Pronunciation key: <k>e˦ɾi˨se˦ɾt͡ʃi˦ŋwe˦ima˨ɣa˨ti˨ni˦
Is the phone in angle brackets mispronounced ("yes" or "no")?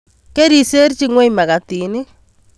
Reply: no